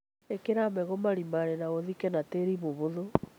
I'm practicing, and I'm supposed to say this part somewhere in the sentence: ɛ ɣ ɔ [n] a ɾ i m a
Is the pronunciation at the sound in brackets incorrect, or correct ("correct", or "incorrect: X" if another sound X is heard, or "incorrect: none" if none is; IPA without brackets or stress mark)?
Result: incorrect: m